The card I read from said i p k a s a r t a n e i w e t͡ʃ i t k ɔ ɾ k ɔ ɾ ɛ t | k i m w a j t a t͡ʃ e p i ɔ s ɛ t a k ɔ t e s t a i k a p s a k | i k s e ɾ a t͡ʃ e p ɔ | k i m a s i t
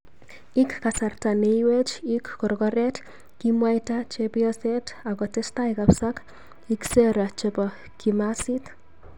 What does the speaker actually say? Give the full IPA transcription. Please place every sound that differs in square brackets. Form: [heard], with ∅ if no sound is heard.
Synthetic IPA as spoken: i [k] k a s a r t a n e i w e t͡ʃ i [k] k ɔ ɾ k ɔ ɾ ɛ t | k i m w a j t a t͡ʃ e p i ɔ s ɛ t a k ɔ t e s t a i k a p s a k | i k s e ɾ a t͡ʃ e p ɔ | k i m a s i t